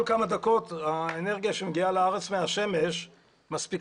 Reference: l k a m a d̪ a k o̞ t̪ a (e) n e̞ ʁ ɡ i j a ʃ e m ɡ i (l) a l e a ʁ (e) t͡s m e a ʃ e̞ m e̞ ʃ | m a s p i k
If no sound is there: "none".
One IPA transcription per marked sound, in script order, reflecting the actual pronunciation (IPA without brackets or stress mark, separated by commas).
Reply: e, none, e